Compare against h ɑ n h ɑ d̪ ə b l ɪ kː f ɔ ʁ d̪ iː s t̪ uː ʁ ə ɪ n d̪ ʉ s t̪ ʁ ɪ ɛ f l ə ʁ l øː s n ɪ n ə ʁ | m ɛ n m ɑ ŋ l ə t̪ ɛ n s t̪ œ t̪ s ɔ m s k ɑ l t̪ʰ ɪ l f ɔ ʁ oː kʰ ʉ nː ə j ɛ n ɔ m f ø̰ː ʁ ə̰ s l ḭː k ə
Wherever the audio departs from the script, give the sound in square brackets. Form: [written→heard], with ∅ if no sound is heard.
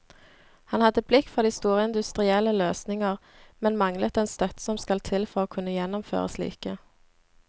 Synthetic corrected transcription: h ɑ n h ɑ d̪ ə b l ɪ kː f ɔ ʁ d̪ iː s t̪ uː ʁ ə ɪ n d̪ ʉ s t̪ ʁ ɪ ɛ [f→∅] l ə [ʁ→∅] l øː s n ɪ [n→ŋ] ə ʁ | m ɛ n m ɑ ŋ l ə t̪ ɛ n s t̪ œ t̪ s ɔ m s k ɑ l t̪ʰ ɪ l f ɔ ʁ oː kʰ ʉ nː ə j ɛ n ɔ m f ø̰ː ʁ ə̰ s l ḭː k ə